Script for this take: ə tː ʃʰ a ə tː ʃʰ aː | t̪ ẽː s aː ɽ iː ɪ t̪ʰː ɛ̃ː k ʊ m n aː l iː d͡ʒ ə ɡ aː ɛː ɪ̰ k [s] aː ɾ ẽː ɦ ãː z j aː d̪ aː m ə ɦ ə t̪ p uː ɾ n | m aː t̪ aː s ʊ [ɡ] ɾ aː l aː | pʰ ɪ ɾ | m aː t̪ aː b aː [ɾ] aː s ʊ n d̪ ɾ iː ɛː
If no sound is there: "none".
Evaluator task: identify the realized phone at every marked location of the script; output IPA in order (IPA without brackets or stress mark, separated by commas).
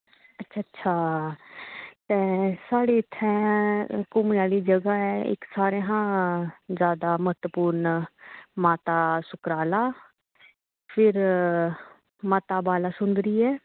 s, k, l